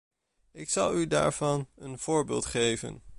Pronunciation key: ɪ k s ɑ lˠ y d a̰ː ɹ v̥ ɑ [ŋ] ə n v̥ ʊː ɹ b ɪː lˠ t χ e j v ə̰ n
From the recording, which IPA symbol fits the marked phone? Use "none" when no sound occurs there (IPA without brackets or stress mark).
n